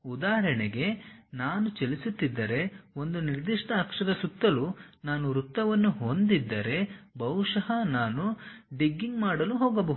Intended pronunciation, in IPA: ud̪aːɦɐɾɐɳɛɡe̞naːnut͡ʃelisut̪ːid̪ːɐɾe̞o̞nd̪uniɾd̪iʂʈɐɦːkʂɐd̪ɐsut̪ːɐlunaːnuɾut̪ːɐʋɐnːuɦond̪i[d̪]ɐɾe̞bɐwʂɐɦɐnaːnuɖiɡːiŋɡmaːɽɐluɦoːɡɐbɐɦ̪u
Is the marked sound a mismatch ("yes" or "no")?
yes